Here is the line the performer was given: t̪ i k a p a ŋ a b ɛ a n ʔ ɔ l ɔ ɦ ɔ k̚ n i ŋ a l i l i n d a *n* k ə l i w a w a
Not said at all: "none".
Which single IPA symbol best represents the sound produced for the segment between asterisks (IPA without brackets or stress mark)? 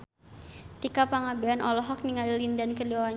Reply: n